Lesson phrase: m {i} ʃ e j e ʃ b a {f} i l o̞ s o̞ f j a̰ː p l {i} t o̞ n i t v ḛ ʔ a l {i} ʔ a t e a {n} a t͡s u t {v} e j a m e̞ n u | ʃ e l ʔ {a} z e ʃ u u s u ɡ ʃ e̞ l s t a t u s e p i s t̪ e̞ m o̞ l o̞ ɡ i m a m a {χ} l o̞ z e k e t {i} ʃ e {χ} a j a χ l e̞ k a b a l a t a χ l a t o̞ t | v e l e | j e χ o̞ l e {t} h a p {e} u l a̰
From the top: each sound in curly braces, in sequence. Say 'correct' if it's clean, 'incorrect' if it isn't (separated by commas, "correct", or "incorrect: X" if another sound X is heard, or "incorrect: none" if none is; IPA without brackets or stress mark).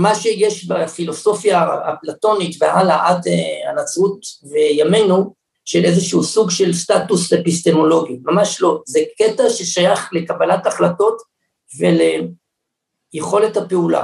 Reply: incorrect: a, correct, incorrect: a, incorrect: a, correct, correct, incorrect: e, incorrect: ʃ, incorrect: a, incorrect: ʃ, correct, correct